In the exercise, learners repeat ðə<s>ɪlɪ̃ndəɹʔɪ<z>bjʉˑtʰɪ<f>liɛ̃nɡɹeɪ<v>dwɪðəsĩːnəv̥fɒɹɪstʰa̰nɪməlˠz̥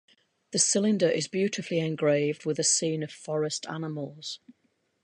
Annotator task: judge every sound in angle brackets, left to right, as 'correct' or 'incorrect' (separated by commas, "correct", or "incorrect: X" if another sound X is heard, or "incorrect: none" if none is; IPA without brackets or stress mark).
correct, correct, correct, correct